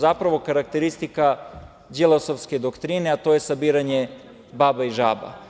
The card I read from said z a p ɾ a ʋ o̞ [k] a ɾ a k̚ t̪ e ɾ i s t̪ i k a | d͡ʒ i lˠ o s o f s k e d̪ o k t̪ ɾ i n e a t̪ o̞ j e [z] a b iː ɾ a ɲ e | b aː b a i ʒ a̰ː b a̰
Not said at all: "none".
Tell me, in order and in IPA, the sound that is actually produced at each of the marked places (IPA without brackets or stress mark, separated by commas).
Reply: k, s